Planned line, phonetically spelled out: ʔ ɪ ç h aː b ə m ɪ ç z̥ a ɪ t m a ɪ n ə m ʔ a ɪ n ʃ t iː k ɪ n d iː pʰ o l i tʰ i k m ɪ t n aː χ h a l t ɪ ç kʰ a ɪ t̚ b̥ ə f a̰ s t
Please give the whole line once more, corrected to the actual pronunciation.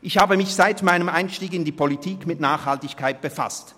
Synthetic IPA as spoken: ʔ ɪ ç h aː b ə m ɪ ç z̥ a ɪ t m a ɪ n ə m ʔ a ɪ n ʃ t iː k ɪ n d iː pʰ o l i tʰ iː k m ɪ t n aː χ h a l t ɪ ç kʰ a ɪ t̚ b̥ ə f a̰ s t